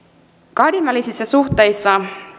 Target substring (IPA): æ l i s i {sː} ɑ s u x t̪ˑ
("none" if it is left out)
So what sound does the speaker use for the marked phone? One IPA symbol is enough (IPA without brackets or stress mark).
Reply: sː